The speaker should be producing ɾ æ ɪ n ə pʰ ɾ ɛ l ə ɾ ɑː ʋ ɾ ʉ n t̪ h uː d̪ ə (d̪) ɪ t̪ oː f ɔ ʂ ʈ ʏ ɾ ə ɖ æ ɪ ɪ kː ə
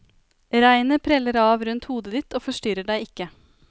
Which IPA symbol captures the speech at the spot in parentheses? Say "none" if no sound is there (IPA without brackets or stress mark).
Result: d̪